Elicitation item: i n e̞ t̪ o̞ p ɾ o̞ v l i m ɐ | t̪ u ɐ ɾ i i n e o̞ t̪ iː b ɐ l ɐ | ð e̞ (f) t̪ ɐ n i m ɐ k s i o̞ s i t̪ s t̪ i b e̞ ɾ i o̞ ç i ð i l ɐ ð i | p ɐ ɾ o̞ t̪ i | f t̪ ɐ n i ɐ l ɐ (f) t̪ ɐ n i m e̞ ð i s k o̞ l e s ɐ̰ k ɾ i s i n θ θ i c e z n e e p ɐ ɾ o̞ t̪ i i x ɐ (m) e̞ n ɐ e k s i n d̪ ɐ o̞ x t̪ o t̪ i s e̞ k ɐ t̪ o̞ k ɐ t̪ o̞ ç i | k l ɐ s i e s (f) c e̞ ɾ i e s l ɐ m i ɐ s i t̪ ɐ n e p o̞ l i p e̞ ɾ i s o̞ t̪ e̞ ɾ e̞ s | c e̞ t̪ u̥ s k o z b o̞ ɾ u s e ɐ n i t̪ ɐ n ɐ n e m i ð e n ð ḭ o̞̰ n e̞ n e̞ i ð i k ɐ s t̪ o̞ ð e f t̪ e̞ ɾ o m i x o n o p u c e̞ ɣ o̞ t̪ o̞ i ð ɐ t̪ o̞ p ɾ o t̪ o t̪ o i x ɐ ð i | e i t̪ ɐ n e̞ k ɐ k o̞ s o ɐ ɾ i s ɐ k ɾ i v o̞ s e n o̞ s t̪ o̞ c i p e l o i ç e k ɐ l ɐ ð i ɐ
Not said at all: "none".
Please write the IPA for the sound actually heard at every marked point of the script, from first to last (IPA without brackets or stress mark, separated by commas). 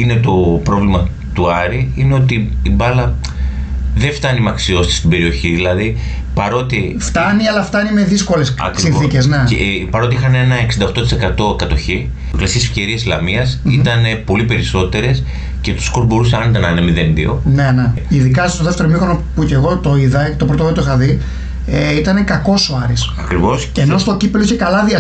f, f, n, f